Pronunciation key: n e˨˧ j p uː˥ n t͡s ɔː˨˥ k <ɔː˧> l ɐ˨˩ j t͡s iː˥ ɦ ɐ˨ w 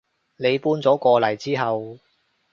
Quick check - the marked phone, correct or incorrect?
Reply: correct